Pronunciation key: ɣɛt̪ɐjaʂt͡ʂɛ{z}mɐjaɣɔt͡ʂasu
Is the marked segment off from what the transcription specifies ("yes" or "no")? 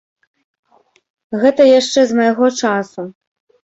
no